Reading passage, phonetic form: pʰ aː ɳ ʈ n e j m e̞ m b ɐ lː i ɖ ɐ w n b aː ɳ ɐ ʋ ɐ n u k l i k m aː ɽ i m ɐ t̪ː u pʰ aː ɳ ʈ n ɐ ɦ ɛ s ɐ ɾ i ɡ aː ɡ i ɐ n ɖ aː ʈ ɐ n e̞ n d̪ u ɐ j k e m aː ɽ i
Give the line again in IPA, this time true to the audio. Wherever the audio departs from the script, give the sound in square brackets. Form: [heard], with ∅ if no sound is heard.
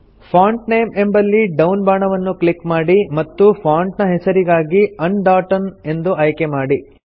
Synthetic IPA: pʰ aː ɳ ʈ n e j m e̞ m b ɐ lː i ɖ ɐ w n b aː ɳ ɐ ʋ ɐ [nː] u k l i k m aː ɽ i m ɐ t̪ː u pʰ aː ɳ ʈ n ɐ ɦ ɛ s ɐ ɾ i ɡ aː ɡ i ɐ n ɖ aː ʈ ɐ n e̞ n d̪ u ɐ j k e m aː ɽ i